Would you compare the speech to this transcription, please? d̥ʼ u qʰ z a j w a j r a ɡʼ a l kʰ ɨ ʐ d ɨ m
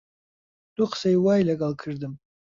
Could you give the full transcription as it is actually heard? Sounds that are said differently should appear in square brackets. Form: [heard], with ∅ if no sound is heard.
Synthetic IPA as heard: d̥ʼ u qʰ [s] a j w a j [l] a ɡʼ a l kʰ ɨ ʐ d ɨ m